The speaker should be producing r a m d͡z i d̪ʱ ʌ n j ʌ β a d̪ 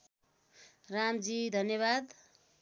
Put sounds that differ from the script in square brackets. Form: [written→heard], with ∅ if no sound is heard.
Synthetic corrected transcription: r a m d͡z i d̪ʱ ʌ n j ʌ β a d̪